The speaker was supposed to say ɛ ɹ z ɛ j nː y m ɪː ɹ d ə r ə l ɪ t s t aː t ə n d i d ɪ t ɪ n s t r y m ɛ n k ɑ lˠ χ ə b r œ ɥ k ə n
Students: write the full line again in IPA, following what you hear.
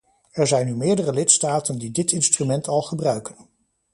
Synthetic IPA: ɛ ɹ z ɛ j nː y m ɪː ɹ d ə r ə l ɪ t s t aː t ə n d i d ɪ t ɪ n s t r y m ɛ n t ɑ lˠ χ ə b r œ ɥ k ə n